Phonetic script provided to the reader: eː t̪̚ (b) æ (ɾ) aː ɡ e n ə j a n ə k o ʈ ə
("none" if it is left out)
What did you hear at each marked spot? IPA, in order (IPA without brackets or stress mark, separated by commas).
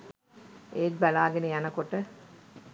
b, l